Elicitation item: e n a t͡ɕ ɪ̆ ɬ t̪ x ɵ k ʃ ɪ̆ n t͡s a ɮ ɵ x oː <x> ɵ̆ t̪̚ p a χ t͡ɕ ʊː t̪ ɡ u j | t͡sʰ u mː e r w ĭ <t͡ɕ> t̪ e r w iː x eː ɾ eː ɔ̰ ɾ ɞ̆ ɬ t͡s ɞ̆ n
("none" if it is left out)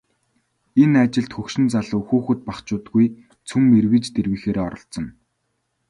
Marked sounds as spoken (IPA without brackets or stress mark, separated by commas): x, t͡ɕ